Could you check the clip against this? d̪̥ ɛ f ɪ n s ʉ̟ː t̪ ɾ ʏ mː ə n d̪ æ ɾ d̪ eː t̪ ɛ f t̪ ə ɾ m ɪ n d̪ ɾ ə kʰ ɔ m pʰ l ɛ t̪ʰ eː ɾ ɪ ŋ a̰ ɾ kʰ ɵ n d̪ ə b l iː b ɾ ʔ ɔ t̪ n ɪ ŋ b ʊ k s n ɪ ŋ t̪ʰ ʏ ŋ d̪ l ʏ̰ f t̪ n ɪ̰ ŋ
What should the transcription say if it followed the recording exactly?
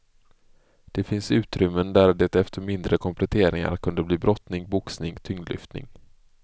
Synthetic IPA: d̪̥ ɛ f ɪ n s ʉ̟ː t̪ ɾ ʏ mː ə n d̪ æ ɾ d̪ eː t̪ ɛ f t̪ ə ɾ m ɪ n d̪ ɾ ə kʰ ɔ m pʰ l ɛ t̪ʰ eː ɾ ɪ ŋ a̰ ɾ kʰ ɵ n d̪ ə b l iː b ɾ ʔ ɔ t̪ n ɪ ŋ b ʊ k s n ɪ ŋ t̪ʰ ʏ ŋ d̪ l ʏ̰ f t̪ n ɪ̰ ŋ